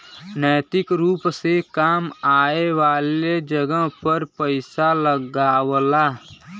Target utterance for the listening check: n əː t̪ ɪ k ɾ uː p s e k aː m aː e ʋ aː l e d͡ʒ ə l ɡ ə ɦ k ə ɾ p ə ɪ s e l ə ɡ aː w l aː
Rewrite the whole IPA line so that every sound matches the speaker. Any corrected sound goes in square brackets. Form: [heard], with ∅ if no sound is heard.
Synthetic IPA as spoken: n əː t̪ ɪ k ɾ uː p s e k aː m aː e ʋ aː l e d͡ʒ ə [∅] ɡ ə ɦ [p] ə ɾ p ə ɪ s [a] l ə ɡ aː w l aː